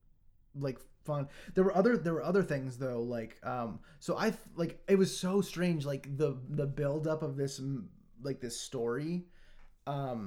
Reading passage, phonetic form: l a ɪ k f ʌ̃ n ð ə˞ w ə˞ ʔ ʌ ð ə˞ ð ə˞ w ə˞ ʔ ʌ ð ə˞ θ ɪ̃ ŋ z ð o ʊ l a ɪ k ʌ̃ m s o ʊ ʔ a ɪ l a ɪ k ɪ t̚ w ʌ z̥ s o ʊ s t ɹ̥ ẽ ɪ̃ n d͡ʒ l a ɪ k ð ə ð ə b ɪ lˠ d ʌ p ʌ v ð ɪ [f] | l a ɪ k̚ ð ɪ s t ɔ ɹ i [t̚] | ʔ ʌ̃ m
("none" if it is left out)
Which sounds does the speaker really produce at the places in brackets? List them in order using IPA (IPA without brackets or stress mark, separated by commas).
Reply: s, none